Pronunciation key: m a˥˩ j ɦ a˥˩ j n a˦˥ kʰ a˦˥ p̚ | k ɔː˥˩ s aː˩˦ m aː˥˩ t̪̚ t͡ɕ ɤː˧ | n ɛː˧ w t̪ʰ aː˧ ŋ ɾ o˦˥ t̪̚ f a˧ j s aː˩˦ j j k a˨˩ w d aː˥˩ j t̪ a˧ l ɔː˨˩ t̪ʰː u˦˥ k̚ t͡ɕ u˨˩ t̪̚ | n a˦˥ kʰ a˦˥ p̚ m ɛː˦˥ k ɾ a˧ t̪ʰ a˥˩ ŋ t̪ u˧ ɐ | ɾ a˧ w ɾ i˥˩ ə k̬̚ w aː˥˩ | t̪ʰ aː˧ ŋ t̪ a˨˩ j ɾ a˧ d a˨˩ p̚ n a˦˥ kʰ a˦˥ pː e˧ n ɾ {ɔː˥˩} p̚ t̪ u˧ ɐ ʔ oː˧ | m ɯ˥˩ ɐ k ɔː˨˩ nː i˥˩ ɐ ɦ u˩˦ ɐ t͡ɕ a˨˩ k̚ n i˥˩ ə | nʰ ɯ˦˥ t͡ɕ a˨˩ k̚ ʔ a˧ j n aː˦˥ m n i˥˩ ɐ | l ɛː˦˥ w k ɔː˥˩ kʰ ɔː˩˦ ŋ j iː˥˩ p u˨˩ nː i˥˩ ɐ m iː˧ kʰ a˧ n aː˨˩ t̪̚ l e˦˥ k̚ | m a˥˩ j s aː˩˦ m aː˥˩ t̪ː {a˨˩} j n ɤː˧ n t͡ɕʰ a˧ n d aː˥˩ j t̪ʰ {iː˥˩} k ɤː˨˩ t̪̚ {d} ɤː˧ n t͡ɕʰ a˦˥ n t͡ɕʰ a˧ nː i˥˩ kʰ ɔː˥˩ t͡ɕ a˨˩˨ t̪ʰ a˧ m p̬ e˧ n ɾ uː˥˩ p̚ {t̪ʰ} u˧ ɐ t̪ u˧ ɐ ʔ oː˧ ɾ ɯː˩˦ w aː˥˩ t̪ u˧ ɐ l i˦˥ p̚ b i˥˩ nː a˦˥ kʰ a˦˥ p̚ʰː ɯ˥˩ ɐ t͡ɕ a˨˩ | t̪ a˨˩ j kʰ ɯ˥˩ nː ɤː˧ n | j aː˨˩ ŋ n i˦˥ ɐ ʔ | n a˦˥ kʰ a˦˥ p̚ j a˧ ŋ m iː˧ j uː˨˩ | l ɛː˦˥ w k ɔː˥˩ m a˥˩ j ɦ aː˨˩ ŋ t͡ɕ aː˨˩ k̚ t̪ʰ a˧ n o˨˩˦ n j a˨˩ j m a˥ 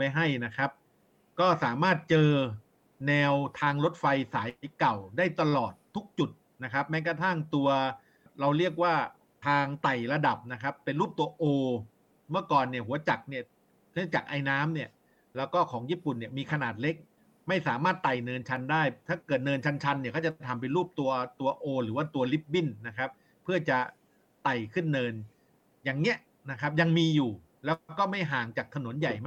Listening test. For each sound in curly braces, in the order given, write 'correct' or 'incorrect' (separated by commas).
incorrect, correct, incorrect, incorrect, incorrect